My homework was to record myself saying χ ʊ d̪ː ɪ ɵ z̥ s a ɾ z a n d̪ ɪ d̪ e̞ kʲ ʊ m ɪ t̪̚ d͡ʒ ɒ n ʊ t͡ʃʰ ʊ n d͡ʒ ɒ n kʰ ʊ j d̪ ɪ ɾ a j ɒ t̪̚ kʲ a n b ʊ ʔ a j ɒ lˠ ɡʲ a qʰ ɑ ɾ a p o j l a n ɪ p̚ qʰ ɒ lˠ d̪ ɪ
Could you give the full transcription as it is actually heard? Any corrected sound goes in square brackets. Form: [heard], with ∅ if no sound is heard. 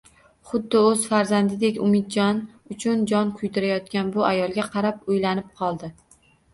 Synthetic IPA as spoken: χ ʊ d̪ː ɪ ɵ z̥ [f] a ɾ z a n d̪ ɪ d̪ e̞ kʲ ʊ m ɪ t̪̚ d͡ʒ ɒ n ʊ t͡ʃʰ ʊ n d͡ʒ ɒ n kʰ ʊ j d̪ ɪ ɾ a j ɒ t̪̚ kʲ a n b ʊ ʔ a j ɒ lˠ ɡʲ a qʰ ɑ ɾ a p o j l a n ɪ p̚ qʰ ɒ lˠ d̪ ɪ

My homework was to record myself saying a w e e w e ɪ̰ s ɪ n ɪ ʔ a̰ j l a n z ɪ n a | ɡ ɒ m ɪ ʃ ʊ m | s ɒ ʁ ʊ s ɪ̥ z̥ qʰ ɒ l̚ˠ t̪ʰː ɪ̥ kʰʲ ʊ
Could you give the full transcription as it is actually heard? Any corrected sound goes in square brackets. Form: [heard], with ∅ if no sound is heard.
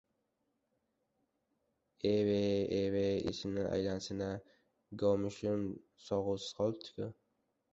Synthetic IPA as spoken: [e] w e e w e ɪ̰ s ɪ n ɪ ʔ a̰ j l a n [s] ɪ n a | ɡ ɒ m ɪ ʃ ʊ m | s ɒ ʁ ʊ s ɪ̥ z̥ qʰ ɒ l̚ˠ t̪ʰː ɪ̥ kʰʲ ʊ

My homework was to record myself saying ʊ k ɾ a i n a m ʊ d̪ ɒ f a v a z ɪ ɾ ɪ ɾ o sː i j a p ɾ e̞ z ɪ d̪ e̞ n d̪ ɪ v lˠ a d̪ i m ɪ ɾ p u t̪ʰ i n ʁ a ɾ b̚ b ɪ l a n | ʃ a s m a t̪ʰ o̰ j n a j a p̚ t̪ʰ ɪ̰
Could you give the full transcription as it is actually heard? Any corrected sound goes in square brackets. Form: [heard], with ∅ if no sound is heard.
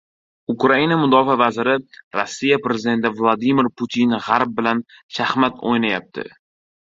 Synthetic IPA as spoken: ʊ k ɾ a i n a m ʊ d̪ ɒ f a v a z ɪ ɾ ɪ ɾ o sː i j a p ɾ e̞ z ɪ d̪ e̞ n [t̪] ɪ v lˠ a d̪ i m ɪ ɾ p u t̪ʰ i n ʁ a ɾ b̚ b ɪ l a n | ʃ a [h] m a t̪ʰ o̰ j n a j a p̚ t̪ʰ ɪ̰

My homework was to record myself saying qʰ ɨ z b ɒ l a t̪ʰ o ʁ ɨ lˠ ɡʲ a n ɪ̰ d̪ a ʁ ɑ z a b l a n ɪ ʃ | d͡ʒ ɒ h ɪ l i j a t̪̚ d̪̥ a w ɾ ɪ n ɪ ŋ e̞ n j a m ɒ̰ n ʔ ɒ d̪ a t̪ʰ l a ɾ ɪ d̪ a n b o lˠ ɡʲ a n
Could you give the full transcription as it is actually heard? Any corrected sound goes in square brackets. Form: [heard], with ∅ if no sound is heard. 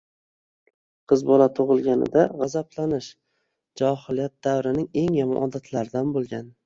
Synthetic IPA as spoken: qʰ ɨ z b ɒ l a t̪ʰ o ʁ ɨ lˠ ɡʲ a n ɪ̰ d̪ a ʁ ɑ z a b l a n ɪ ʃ | d͡ʒ ɒ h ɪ l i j a t̪̚ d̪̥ a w ɾ ɪ n ɪ ŋ e̞ [ŋ] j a m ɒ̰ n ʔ ɒ d̪ a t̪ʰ l a ɾ ɪ d̪ a n b o lˠ ɡʲ a n

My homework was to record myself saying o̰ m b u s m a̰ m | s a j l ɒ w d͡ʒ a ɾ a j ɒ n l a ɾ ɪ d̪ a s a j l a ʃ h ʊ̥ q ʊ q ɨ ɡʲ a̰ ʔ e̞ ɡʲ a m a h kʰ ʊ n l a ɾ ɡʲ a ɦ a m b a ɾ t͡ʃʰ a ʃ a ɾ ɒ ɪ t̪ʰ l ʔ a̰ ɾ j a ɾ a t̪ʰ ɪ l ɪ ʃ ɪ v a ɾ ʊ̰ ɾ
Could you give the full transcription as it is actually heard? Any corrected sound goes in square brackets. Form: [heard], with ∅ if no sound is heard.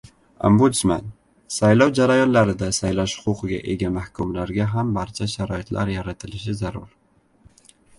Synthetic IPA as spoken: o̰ m b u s m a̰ [n] | s a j l ɒ w d͡ʒ a ɾ a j ɒ n l a ɾ ɪ d̪ a s a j l a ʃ h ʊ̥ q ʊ q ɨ ɡʲ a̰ ʔ e̞ ɡʲ a m a h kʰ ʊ [m] l a ɾ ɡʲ a ɦ a m b a ɾ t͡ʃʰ a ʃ a ɾ ɒ ɪ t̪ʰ l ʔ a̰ ɾ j a ɾ a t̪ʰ ɪ l ɪ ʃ ɪ [z] a ɾ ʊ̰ ɾ

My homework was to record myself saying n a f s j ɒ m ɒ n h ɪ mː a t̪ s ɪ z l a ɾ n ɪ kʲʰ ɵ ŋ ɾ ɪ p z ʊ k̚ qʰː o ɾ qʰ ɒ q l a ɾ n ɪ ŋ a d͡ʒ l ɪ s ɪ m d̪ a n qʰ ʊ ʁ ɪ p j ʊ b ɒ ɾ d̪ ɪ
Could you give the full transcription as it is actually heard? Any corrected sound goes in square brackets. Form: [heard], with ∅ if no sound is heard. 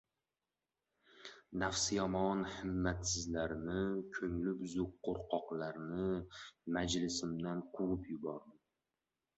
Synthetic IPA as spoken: n a f s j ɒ m ɒ n h ɪ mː a t̪ s ɪ z l a ɾ n ɪ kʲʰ ɵ ŋ [l] ɪ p z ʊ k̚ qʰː o ɾ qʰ ɒ q l a ɾ n ɪ [m] a d͡ʒ l ɪ s ɪ m d̪ a n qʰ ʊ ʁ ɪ p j ʊ b ɒ ɾ d̪ ɪ

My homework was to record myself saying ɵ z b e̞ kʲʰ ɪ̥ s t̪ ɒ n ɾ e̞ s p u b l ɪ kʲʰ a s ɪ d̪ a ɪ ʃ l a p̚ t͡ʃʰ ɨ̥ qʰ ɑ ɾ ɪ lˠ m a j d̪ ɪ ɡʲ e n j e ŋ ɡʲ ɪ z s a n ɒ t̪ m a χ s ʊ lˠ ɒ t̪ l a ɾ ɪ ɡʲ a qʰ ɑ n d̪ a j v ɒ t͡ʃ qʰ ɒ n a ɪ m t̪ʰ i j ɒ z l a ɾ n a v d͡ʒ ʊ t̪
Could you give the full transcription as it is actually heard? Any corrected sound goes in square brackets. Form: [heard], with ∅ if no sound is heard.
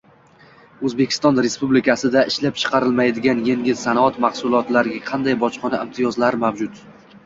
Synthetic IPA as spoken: ɵ z b e̞ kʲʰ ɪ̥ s t̪ ɒ n ɾ e̞ s p u b l ɪ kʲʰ a s ɪ d̪ a ɪ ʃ l a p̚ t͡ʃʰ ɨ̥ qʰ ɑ ɾ ɪ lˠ m a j d̪ ɪ ɡʲ [a] n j e ŋ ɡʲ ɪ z s a n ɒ t̪ m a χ s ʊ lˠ ɒ t̪ l a ɾ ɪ ɡʲ a qʰ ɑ n d̪ a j [b] ɒ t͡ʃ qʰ ɒ n a ɪ m t̪ʰ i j ɒ z l a ɾ [m] a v d͡ʒ ʊ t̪

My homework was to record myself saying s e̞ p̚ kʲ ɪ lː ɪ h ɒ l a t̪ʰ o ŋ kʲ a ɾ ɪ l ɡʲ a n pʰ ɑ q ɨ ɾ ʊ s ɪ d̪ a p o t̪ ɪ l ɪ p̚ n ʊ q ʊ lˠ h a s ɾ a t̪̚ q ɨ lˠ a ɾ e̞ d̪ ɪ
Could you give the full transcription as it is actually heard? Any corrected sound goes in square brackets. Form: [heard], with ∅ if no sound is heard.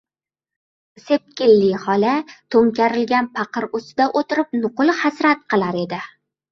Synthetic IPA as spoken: s e̞ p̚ kʲ ɪ lː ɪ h ɒ l a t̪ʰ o ŋ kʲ a ɾ ɪ l ɡʲ a n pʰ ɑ q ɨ ɾ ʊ s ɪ d̪ a [ʔ] o t̪ ɪ [ɾ] ɪ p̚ n ʊ q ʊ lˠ h a s ɾ a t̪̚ q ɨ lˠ a ɾ e̞ d̪ ɪ

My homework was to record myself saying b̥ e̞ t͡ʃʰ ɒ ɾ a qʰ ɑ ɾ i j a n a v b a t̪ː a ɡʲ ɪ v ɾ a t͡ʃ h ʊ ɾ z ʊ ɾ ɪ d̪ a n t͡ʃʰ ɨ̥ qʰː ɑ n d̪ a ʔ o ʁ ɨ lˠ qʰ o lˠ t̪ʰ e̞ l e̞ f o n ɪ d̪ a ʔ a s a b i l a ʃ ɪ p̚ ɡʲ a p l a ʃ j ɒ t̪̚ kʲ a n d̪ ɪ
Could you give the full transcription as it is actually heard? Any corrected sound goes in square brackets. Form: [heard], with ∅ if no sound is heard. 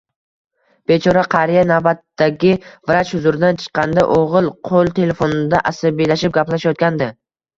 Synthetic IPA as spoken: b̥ e̞ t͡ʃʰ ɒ ɾ a qʰ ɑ ɾ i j a n a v b a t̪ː a ɡʲ ɪ v ɾ a t͡ʃ h ʊ [∅] z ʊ ɾ ɪ d̪ a n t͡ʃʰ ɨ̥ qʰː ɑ n d̪ a ʔ o ʁ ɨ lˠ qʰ o lˠ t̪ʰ e̞ l e̞ f o n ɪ d̪ a ʔ a s a b i l a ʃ ɪ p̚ ɡʲ a p l a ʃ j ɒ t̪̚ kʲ a n d̪ ɪ

